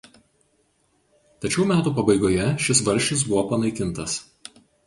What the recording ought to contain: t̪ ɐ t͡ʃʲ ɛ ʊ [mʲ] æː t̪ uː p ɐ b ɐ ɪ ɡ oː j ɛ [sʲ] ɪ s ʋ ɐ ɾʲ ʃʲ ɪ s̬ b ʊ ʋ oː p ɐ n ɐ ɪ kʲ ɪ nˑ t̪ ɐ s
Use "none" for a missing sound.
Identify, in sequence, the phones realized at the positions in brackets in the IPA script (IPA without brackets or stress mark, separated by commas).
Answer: mʲ, ʃʲ